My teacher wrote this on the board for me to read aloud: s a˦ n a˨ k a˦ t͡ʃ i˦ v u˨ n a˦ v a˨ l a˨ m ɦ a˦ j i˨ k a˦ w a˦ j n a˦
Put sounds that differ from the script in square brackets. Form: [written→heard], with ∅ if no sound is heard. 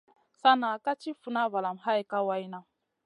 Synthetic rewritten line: s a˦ n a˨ k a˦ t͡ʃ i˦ [v→f] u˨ n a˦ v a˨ l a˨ m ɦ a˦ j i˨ k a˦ w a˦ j n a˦